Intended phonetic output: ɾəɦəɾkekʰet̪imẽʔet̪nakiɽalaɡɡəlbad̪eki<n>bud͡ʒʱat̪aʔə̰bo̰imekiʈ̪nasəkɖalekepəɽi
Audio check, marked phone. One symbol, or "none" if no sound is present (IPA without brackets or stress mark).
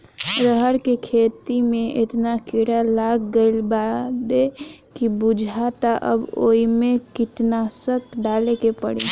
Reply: none